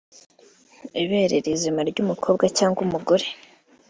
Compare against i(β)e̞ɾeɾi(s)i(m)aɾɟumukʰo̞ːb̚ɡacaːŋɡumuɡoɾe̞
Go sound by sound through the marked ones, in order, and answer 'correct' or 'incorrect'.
correct, incorrect: z, correct

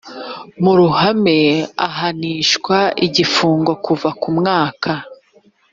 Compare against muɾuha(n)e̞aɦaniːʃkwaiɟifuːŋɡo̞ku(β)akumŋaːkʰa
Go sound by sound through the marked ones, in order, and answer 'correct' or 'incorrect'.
incorrect: m, incorrect: v

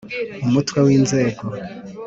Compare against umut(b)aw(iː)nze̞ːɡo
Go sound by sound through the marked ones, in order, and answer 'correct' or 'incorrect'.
incorrect: w, correct

